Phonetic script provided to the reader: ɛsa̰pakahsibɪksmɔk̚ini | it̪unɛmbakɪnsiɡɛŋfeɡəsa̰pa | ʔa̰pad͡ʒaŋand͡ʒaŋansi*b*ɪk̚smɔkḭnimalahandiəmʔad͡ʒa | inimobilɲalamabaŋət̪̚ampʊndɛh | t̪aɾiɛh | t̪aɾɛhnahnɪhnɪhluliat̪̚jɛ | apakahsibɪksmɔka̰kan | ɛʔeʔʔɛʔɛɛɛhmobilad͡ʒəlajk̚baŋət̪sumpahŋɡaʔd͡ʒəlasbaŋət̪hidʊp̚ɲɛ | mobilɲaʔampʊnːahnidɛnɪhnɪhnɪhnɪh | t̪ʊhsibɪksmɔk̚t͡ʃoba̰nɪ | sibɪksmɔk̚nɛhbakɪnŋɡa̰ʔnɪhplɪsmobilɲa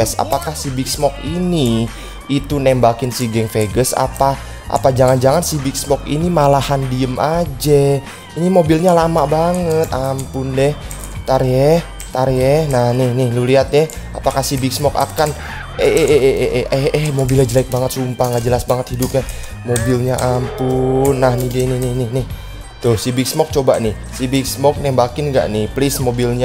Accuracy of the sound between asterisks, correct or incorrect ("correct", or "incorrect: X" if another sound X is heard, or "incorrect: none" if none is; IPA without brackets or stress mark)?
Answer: correct